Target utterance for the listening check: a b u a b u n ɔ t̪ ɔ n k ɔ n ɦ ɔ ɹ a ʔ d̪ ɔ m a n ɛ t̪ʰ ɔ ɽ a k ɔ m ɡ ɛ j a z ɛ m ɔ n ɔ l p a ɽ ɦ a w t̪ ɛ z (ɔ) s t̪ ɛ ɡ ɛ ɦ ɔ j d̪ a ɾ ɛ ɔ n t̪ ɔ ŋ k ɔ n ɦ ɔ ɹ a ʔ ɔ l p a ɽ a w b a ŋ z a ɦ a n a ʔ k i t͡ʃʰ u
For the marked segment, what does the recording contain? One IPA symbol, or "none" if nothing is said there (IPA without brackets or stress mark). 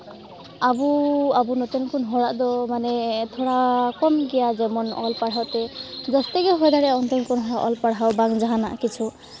ɔ